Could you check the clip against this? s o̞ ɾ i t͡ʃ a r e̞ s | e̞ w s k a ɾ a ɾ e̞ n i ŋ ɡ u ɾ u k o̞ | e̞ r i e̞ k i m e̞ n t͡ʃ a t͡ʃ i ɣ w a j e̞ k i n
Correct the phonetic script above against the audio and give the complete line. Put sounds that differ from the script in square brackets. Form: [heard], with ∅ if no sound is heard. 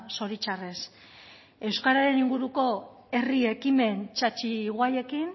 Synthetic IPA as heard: s o̞ ɾ i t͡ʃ a r e̞ s | e̞ w s k a ɾ a ɾ e̞ n i ŋ ɡ u ɾ u k o̞ | e̞ r i e̞ k i m e̞ n t͡ʃ a t͡ʃ i ɣ w a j e̞ k i n